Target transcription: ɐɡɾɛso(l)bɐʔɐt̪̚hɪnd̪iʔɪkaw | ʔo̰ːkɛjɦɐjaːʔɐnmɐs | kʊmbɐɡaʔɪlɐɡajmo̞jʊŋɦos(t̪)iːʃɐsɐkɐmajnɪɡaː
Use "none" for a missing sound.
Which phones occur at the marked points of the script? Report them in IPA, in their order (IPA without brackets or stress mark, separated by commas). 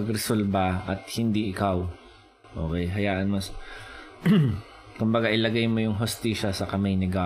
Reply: l, t̪